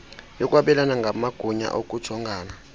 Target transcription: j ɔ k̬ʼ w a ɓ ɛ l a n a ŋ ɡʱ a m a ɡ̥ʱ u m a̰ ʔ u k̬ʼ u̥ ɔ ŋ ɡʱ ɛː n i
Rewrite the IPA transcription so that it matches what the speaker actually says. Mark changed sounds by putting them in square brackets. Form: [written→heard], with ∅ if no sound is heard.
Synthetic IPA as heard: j ɔ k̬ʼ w a ɓ ɛ l a n a ŋ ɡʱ a m a ɡ̥ʱ u [m→ɲ] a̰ ʔ [u→o] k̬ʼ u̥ ɔ ŋ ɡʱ [ɛː→aː] n [i→a]